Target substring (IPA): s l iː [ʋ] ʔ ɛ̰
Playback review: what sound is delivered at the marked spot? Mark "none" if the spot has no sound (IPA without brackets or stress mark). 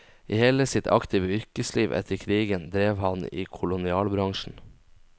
ʋ